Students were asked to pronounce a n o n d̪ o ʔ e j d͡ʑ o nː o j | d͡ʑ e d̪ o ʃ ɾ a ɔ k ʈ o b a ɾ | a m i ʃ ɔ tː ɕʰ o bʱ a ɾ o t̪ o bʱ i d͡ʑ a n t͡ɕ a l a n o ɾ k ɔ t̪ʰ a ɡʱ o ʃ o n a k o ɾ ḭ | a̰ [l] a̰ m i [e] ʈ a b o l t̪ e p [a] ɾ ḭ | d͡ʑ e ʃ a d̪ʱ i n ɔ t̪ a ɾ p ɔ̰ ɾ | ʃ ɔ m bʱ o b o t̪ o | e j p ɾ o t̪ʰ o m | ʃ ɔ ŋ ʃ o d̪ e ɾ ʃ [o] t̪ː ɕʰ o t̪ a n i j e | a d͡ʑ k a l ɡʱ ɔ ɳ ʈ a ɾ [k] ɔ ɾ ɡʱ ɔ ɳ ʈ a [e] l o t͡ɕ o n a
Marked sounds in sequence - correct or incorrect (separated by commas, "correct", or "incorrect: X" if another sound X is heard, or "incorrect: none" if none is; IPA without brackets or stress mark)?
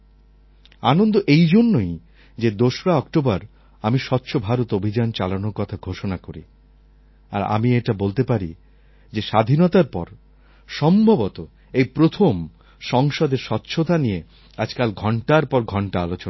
incorrect: ɾ, correct, correct, incorrect: ɔ, incorrect: p, incorrect: a